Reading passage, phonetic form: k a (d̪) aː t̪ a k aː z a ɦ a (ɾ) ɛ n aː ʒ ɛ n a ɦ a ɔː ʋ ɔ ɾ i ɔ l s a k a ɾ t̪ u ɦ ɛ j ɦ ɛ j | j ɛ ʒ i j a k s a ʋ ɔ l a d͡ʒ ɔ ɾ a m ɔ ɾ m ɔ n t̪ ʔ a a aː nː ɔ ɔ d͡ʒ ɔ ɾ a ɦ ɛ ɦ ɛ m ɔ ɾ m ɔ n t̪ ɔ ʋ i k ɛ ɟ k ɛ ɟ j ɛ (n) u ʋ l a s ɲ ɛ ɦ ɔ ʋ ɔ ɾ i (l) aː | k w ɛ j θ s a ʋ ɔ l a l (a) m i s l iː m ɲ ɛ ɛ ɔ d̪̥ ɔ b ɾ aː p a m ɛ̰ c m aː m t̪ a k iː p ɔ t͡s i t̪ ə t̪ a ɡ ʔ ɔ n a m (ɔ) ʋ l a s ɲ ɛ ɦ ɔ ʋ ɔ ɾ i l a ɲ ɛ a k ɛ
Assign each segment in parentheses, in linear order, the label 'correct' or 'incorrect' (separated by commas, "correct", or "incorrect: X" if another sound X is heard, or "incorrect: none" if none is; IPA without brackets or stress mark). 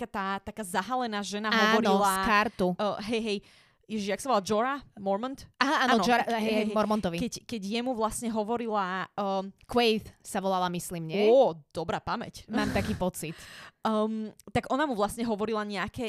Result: incorrect: t̪, incorrect: l, incorrect: m, correct, correct, incorrect: u